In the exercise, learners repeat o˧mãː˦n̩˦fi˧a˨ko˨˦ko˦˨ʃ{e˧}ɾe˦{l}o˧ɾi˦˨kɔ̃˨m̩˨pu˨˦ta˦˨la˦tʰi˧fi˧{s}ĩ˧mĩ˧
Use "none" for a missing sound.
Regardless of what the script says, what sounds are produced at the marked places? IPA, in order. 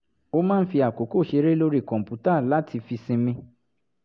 e˧, l, s

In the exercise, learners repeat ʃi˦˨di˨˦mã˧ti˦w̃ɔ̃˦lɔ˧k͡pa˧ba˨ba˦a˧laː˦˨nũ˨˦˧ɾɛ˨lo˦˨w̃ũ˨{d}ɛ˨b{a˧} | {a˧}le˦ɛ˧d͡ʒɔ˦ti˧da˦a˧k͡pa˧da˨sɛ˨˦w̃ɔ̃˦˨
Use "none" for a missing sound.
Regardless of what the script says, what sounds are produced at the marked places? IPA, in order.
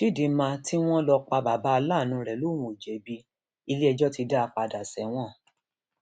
d͡ʒ, i˧, i˧

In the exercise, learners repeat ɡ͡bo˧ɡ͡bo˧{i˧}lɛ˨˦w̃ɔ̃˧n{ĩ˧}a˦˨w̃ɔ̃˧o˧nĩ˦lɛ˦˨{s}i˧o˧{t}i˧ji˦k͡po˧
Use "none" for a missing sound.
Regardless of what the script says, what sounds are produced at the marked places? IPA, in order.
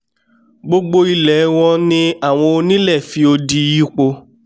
i˧, ĩ˧, f, d

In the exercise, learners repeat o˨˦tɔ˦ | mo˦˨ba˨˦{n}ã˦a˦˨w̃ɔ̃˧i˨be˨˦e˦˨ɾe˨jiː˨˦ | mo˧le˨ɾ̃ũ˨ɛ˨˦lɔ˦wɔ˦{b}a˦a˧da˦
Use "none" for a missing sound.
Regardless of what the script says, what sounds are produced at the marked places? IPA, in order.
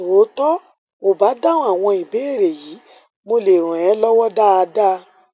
d, d

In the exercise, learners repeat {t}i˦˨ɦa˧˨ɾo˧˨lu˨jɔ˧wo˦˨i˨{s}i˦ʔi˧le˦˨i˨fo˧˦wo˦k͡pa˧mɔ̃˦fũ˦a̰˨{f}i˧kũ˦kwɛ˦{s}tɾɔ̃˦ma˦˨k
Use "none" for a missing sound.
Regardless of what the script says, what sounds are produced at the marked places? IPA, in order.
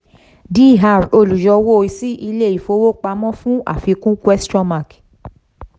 d, s, f, s

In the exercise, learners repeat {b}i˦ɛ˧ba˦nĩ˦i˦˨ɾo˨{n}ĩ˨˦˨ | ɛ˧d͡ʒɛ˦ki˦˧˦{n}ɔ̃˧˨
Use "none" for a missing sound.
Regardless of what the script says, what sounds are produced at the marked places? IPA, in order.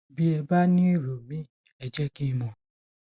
b, m, m

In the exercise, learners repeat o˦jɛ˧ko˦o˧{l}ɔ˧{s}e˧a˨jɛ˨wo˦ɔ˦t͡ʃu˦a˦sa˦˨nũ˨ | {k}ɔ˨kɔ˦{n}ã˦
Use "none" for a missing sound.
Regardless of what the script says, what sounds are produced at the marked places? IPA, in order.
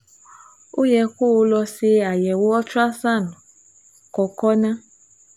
l, s, k, n

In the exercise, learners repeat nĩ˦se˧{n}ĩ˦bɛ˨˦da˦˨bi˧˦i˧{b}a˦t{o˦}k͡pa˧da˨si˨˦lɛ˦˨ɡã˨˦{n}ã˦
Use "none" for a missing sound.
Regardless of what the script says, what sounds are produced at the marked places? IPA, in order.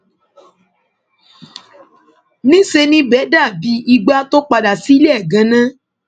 n, ɡ͡b, o˦, n

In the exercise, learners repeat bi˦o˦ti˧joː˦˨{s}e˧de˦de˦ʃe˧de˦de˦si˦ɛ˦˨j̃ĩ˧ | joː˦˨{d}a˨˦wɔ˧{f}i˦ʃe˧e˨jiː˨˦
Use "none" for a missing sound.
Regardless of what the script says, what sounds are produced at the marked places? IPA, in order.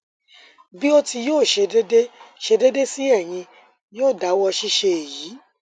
ʃ, d, ʃ

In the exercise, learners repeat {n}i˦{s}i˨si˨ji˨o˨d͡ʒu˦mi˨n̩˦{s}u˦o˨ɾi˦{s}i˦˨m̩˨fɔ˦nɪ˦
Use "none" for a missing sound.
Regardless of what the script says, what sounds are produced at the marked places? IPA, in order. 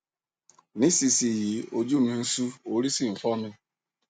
n, s, s, s

